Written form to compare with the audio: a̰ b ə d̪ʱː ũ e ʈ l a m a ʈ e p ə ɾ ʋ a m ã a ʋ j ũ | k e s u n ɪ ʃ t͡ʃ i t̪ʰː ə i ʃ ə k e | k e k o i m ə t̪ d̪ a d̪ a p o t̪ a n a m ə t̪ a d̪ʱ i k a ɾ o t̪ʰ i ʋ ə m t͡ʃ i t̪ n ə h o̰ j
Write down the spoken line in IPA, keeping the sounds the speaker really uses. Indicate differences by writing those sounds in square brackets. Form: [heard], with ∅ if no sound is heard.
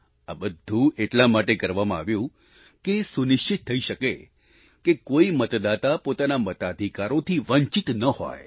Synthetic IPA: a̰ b ə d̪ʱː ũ e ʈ l a m a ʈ e [k] ə ɾ ʋ a m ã a ʋ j ũ | k e s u n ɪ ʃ t͡ʃ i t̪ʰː ə i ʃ ə k e | k e k o i m ə t̪ d̪ a [t̪] a p o t̪ a n a m ə t̪ a d̪ʱ i k a ɾ o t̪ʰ i ʋ ə [ɲ] t͡ʃ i t̪ n ə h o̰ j